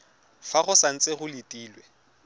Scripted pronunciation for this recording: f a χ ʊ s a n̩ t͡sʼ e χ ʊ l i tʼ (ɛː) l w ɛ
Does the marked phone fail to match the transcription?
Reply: yes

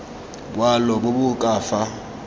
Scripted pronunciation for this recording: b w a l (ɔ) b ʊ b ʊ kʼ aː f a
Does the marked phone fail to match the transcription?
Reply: no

